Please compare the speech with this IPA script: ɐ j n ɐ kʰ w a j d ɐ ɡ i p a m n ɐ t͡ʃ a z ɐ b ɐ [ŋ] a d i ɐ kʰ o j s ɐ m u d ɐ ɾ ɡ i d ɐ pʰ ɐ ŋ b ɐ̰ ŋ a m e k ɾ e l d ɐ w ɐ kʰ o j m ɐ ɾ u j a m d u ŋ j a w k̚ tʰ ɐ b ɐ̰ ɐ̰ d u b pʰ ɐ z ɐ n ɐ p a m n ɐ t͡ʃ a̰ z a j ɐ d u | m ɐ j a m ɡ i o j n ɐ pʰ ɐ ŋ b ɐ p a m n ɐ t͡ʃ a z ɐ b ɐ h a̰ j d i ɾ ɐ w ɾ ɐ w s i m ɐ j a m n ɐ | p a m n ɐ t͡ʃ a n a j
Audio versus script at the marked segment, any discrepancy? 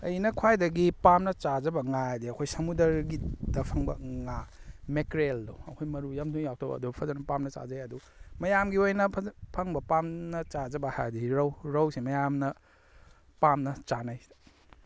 no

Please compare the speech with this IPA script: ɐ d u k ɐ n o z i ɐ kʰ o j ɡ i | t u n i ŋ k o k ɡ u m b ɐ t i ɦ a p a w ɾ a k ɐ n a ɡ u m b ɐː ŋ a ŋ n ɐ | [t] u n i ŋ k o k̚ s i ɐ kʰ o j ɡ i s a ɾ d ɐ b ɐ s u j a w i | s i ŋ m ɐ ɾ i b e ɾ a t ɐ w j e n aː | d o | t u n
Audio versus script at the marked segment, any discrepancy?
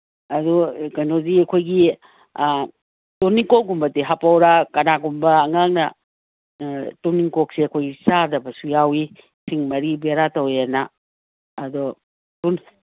no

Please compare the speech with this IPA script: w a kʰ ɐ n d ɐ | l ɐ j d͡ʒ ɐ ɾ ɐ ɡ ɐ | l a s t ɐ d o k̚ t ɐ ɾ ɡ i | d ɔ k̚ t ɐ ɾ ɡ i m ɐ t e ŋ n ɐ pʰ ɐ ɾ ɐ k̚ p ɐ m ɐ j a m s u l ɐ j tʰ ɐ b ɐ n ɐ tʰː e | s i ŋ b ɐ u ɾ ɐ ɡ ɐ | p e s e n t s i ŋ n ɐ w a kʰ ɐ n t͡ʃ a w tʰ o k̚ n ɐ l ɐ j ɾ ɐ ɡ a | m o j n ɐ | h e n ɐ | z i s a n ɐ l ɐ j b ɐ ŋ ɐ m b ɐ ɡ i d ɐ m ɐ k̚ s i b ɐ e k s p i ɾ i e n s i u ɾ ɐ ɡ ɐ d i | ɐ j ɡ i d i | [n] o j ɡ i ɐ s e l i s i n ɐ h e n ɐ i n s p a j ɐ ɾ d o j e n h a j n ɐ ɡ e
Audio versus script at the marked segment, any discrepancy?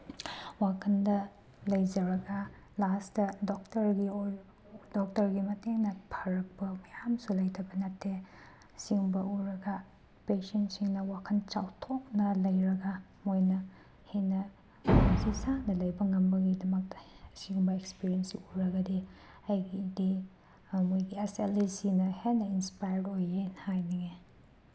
yes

